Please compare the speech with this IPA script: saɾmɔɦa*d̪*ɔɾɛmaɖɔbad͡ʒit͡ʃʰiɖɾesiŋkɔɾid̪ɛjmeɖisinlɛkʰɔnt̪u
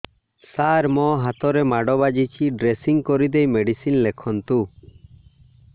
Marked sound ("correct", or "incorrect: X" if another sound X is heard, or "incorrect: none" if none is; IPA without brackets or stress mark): incorrect: t̪